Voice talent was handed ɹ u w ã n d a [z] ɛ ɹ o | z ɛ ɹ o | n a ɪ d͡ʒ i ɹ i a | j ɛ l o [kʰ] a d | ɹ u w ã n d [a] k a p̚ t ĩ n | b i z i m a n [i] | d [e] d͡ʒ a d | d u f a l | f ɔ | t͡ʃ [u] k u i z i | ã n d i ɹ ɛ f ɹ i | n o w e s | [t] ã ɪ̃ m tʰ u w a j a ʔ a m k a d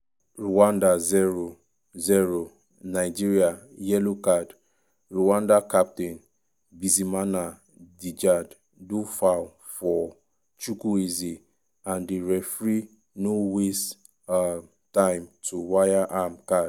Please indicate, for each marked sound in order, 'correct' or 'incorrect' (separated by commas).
correct, incorrect, correct, incorrect, incorrect, correct, correct